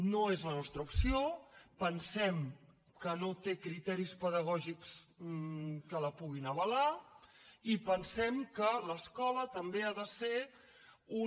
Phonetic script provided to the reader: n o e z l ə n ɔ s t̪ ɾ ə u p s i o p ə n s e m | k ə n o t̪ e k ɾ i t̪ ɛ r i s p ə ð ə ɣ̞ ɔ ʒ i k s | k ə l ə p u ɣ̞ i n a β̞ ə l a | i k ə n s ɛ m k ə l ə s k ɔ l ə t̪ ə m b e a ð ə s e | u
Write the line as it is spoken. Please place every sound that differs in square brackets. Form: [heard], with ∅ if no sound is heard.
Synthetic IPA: n o e z l ə n ɔ s t̪ ɾ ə u p s i o p ə n s [ɛ] m | k ə n o t̪ e k ɾ i t̪ ɛ [ɾ] i s p ə ð ə ɣ̞ ɔ ʒ i k s | k ə l ə p u ɣ̞ i n [ə] β̞ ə l a | i [p] ə n s ɛ m k ə l ə s k ɔ l ə t̪ ə m b e a ð ə s e | u

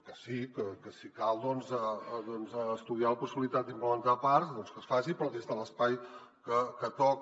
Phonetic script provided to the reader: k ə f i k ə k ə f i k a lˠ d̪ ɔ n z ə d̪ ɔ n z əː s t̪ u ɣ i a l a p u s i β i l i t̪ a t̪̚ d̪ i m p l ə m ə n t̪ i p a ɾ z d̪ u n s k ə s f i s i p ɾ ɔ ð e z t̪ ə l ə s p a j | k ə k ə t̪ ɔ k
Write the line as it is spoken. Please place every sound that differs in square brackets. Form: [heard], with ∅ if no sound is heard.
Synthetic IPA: k ə [s] i k ə k ə [s] i k a lˠ d̪ ɔ n z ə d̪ ɔ n z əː s t̪ u [ð] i a l [ə] p u s i β i l i t̪ a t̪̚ d̪ i m p l ə m ə n t̪ [a] p a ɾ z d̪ [ɔ] n s k ə s f [a] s i p ɾ ɔ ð e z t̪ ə l ə s p a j | k ə k ə t̪ ɔ k

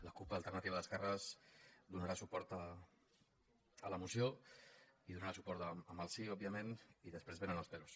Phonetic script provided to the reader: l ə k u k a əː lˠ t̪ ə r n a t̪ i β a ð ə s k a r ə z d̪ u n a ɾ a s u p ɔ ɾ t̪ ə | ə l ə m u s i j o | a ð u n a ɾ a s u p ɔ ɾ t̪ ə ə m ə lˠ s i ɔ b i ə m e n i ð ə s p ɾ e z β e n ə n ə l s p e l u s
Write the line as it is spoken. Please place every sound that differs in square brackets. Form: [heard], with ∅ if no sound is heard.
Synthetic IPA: l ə k u [p] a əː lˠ t̪ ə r n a t̪ i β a ð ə s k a r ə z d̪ u n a ɾ a s u p ɔ ɾ t̪ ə | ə l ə m u s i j o | [i] ð u n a ɾ a s u p ɔ ɾ t̪ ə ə m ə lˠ s i ɔ b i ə m e n i ð ə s p ɾ e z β e n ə n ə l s p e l u s

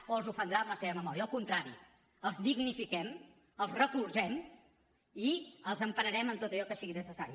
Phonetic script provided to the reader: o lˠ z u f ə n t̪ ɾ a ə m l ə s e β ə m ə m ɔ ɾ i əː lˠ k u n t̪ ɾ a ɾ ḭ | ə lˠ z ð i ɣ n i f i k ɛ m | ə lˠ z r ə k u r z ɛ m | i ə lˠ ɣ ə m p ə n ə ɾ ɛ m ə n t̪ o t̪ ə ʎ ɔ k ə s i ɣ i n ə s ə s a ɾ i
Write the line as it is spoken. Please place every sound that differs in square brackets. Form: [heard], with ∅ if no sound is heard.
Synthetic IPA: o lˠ z u f ə n [d̪] ɾ a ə m l ə s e β ə m ə m ɔ ɾ i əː lˠ k u n t̪ ɾ a ɾ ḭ | ə lˠ z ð i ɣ n i f i k ɛ m | ə lˠ z r ə k u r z ɛ m | i ə lˠ [z] ə m p ə n ə ɾ ɛ m ə n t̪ o t̪ ə ʎ ɔ k ə s i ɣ i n ə s ə s a ɾ i

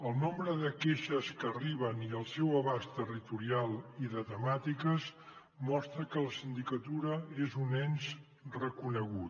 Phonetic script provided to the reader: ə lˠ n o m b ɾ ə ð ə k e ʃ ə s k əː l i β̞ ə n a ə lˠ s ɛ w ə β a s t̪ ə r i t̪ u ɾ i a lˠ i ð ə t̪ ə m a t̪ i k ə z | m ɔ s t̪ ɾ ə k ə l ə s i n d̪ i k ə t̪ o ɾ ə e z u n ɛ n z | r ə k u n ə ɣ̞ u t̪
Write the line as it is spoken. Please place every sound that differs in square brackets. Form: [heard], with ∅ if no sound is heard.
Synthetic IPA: ə lˠ n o m b ɾ ə ð ə k e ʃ ə s k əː [r] i β̞ ə n [i] ə lˠ s ɛ w ə β a s t̪ ə r i t̪ u ɾ i a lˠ i ð ə t̪ ə m a t̪ i k ə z | m ɔ s t̪ ɾ ə k ə l ə s i n d̪ i k ə t̪ [u] ɾ ə e z u n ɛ n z | r ə k u n ə ɣ̞ u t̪

